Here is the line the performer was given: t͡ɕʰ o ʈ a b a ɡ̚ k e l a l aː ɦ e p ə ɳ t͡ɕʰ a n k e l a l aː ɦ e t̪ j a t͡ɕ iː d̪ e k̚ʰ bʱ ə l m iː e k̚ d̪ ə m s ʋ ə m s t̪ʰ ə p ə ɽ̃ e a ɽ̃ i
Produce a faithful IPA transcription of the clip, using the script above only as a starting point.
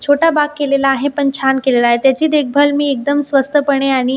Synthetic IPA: t͡ɕʰ o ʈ a b a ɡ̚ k e l e l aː ɦ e p ə ɳ t͡ɕʰ a n k e l e l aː ɦ e t̪ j a t͡ɕ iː d̪ e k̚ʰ bʱ ə l m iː e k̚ d̪ ə m s ʋ ə s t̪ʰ ə p ə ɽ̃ e a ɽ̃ i